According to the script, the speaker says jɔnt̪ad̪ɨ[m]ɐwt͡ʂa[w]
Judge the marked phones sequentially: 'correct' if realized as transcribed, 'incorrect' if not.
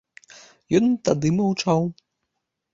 correct, correct

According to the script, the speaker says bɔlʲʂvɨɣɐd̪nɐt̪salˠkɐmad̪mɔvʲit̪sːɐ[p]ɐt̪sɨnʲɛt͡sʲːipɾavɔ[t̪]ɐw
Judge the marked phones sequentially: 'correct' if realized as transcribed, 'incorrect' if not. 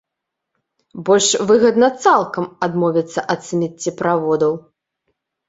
incorrect: ʔ, incorrect: d̪

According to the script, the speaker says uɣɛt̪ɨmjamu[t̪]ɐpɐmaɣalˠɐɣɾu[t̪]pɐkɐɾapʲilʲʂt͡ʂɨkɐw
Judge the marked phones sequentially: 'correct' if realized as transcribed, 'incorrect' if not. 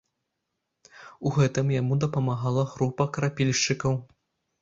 incorrect: d̪, incorrect: none

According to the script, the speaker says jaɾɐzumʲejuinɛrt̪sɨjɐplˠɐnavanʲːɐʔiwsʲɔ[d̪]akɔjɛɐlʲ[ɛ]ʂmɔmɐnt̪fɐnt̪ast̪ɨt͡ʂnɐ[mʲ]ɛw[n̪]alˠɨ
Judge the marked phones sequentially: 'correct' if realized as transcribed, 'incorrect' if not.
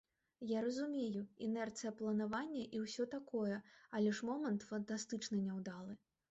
incorrect: t̪, correct, incorrect: nʲ, incorrect: d̪

